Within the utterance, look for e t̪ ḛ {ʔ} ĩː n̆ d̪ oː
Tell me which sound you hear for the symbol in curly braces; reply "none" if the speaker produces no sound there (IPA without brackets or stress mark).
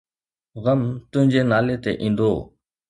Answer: ʔ